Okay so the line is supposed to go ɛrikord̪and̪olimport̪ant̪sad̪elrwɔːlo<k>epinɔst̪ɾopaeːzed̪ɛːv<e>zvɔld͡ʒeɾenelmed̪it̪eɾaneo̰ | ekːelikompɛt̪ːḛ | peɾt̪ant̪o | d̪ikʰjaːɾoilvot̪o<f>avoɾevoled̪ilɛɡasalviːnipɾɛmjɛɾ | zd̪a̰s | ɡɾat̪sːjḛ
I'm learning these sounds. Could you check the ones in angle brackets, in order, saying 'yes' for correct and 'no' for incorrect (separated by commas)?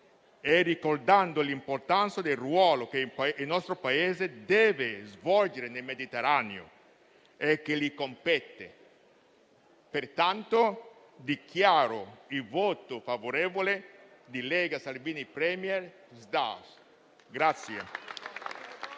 yes, yes, yes